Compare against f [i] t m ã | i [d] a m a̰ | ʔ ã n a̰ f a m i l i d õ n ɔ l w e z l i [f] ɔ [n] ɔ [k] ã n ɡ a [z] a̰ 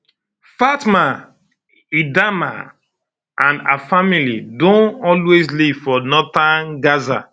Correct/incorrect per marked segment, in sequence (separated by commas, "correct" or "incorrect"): incorrect, correct, correct, correct, incorrect, correct